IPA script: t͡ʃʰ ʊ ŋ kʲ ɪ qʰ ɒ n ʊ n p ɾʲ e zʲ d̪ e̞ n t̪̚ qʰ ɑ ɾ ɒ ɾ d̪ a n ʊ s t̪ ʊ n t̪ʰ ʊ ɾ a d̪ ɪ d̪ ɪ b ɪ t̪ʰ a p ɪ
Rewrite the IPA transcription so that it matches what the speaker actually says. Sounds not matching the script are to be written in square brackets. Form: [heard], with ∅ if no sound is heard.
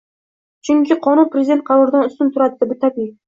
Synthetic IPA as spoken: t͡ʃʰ ʊ ŋ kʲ ɪ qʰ ɒ n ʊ n p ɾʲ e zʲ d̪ e̞ n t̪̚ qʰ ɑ ɾ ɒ ɾ d̪ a n ʊ s t̪ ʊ n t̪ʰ ʊ ɾ a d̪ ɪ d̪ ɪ b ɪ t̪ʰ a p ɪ